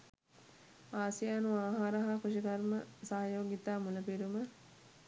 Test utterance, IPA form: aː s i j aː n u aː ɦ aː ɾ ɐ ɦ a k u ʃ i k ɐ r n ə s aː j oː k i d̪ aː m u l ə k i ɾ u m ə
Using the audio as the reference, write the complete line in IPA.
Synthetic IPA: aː s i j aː n u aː ɦ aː ɾ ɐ ɦ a k u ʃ i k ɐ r m ə s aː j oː ɡ i t̪ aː m u l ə p i ɾ u m ə